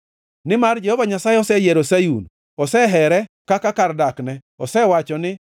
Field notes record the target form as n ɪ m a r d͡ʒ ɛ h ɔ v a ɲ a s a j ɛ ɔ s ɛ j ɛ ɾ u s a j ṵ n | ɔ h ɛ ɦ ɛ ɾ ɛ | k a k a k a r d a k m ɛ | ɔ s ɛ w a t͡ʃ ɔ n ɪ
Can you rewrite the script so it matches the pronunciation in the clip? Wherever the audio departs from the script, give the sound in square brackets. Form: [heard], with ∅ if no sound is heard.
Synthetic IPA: n ɪ m a r d͡ʒ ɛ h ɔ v a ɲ a s a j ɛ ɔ s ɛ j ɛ ɾ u s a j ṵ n | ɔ [s] ɛ ɦ ɛ ɾ ɛ | k a k a k a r d a k [n] ɛ | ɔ s ɛ w a t͡ʃ ɔ n ɪ